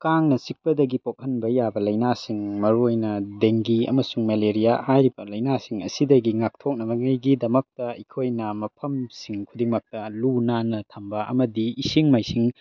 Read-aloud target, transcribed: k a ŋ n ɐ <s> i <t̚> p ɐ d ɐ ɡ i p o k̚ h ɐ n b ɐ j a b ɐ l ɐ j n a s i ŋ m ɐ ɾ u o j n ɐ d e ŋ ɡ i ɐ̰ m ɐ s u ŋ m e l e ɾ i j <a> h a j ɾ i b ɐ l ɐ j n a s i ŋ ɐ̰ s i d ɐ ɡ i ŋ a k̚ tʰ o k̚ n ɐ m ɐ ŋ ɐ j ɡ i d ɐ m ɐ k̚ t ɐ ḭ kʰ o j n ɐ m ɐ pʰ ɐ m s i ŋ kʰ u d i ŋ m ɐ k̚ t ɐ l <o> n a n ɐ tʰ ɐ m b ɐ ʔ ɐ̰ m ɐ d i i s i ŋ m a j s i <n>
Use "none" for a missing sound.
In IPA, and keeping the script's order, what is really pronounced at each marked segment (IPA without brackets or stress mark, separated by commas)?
s, k̚, a, u, ŋ